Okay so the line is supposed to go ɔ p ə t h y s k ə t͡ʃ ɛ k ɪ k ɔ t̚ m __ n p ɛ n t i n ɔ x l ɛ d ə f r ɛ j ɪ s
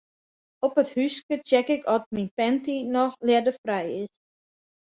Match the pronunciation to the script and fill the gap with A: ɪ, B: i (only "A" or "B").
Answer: B